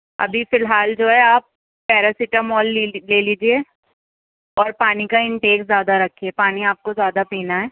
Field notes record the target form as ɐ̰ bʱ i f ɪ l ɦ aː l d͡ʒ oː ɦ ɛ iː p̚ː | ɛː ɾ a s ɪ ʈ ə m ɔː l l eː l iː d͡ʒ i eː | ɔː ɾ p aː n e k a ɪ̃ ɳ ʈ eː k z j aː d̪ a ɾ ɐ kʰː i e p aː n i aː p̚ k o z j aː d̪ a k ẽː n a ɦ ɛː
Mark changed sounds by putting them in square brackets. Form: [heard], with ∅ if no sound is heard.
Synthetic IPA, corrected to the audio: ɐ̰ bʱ i f ɪ l ɦ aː l d͡ʒ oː ɦ ɛ [aː] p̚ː | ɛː ɾ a s ɪ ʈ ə m ɔː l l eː l iː d͡ʒ i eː | ɔː ɾ p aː n [i] k a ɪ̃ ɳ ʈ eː k z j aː d̪ a ɾ ɐ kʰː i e p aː n i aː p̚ k o z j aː d̪ a [p] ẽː n a ɦ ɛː